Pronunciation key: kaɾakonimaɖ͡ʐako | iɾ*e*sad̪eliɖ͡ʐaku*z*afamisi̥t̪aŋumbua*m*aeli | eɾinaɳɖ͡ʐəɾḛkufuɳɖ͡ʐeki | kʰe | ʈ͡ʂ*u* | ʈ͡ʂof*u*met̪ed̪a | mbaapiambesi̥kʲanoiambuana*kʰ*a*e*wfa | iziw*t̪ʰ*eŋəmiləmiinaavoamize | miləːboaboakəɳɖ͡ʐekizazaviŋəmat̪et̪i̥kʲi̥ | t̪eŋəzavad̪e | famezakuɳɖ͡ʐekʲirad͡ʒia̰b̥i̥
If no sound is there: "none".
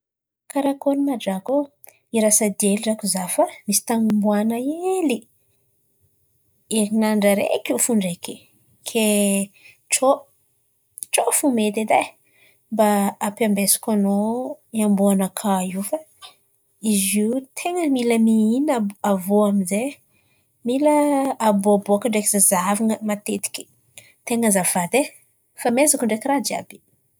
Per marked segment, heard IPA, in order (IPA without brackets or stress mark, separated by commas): a, z, n, o, u, kʰ, i, t̪ʰ